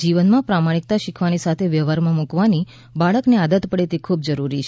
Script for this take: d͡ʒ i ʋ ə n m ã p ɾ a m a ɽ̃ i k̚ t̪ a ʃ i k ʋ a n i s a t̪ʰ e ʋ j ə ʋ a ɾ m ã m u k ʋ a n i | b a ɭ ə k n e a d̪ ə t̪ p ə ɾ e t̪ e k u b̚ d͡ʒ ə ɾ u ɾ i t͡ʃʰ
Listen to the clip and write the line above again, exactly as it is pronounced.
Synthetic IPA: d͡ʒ i ʋ ə n m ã p ɾ a m a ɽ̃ i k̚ t̪ a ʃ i kʰ ʋ a n i s a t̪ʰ e ʋ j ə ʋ a ɾ m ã m u k ʋ a n i | b a ɭ ə k n e a d̪ ə t̪ p ə ɽ e t̪ e kʰ u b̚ d͡ʒ ə ɾ u ɾ i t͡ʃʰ

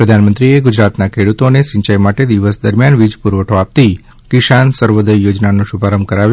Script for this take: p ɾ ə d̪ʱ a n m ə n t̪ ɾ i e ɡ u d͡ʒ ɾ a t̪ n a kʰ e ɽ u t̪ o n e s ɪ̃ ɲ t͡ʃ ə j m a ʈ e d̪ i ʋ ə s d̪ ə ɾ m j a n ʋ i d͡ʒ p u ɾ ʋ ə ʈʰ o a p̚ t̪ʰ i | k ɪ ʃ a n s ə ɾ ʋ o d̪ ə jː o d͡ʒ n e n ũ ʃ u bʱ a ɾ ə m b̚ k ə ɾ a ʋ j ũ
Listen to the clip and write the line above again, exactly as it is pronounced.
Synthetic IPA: p ɾ ə d̪ʱ a n m ə n t̪ ɾ i e ɡ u d͡ʒ ɾ a t̪ n a kʰ e ɽ u t̪ o n e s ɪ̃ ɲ t͡ʃ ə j m a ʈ e d̪ i ʋ ə s d̪ ə ɾ m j a n ʋ i d͡ʒ p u ɾ ʋ ə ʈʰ o a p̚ t̪ i | k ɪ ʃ a n s ə ɾ ʋ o d̪ ə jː o d͡ʒ n a n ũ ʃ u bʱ a ɾ ə m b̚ k ə ɾ a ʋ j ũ

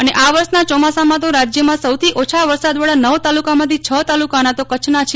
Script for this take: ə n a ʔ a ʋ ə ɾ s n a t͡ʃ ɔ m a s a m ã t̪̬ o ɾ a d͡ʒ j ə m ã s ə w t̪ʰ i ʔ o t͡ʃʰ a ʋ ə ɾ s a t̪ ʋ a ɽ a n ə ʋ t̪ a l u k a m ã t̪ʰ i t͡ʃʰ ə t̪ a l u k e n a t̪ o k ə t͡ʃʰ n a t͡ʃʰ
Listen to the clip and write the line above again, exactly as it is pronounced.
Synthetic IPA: ə n e ʔ a ʋ ə ɾ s n a t͡ʃ ɔ m a s a m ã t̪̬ o ɾ a d͡ʒ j ə m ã s ə w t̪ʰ i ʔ o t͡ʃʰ a ʋ ə ɾ s a d̪ ʋ a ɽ a n ə ʋ t̪ a l u k a m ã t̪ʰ i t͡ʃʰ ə t̪ a l u k a n a t̪ o k ə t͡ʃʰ n a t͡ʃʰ

